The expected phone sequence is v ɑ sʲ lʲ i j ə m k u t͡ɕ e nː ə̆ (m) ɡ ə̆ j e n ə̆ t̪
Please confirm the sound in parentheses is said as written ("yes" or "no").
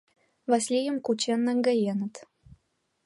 no